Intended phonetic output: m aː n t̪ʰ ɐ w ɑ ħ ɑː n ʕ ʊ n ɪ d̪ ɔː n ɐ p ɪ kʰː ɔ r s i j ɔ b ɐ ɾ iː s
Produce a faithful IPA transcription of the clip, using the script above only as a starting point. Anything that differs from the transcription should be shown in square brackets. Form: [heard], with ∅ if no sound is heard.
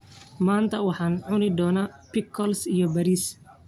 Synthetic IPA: m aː n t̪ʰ ɐ w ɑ ħ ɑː n ʕ ʊ n ɪ d̪ ɔː n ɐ p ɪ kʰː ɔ [l] s i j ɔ b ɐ ɾ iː s